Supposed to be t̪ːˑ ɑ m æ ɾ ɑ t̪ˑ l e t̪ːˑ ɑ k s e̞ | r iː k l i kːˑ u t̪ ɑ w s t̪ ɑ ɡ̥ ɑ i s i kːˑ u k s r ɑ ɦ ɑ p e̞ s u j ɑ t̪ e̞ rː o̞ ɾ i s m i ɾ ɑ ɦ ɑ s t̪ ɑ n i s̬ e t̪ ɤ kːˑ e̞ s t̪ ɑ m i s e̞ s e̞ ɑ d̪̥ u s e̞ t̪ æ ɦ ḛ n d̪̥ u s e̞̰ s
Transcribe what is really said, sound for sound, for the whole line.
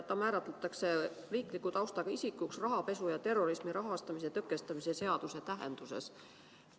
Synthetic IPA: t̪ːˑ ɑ m æː ɾ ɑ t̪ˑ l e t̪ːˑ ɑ k s e̞ | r iː k l i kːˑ u t̪ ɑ w s t̪ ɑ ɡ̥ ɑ i s i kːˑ u k s r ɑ ɦ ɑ p e̞ s u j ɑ t̪ e̞ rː o̞ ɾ i s m i ɾ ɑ ɦ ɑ s t̪ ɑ m i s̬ e t̪ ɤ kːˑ e̞ s t̪ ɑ m i s e̞ s e̞ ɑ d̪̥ u s e̞ t̪ æ ɦ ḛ n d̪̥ u s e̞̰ s